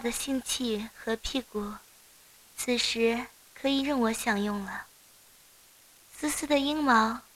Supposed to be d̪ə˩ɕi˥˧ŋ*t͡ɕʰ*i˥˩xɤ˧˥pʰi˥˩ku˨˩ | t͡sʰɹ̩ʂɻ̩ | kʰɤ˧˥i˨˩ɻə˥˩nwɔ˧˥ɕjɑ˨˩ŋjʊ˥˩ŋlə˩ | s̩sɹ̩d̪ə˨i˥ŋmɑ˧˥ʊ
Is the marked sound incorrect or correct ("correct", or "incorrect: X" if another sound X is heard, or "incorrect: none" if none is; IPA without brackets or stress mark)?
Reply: correct